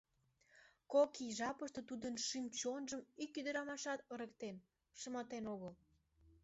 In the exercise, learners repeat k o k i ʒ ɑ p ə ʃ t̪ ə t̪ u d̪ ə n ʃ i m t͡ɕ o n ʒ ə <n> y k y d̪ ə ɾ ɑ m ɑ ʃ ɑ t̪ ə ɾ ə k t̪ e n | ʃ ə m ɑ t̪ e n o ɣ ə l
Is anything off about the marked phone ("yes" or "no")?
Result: yes